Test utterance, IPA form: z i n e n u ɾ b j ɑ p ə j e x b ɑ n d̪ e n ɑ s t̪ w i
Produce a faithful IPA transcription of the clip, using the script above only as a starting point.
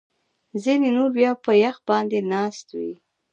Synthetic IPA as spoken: z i n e n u ɾ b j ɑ p ə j a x b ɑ n d̪ e n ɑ s t̪ w i

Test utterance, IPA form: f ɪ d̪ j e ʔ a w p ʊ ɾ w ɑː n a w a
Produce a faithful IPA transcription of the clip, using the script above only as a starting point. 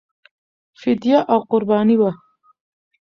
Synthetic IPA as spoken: f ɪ d̪ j a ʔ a w q ʊ ɾ b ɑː n i w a

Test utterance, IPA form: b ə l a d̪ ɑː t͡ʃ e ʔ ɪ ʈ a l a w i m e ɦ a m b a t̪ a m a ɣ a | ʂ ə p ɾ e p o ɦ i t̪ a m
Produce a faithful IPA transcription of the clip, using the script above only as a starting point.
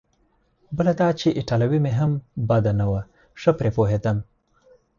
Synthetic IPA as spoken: b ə l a d̪ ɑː t͡ʃ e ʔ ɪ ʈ a l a w i m e ɦ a m b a d̪ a n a w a | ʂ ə p ɾ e p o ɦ e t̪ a m

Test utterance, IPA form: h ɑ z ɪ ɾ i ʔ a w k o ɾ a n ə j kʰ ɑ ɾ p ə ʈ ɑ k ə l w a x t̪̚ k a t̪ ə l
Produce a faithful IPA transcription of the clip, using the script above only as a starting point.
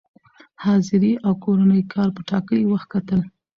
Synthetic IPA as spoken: h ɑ z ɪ ɾ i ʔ a w k o ɾ a n ə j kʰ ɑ ɾ p ə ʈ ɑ k ə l w a x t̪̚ k a t̪ ə l

